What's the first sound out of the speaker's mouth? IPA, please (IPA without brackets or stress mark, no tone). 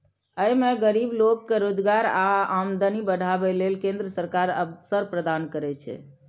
ə